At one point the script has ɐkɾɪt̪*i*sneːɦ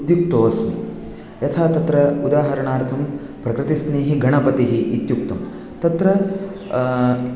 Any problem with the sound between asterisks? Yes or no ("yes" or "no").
no